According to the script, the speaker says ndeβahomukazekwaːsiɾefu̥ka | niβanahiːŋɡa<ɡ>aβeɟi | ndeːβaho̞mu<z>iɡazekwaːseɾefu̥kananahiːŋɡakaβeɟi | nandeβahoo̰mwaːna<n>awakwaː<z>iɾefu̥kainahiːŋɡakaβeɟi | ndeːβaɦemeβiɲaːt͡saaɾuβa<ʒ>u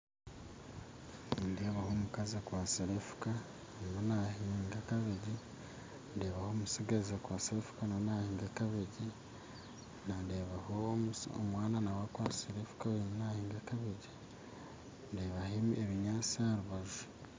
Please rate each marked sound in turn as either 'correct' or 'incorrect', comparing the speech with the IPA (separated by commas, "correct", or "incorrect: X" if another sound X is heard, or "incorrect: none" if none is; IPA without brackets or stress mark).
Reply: incorrect: k, incorrect: s, correct, incorrect: s, correct